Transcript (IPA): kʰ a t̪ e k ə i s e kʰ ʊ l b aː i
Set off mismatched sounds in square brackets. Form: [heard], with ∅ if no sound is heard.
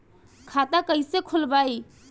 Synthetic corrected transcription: kʰ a t̪ [a] k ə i s e kʰ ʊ l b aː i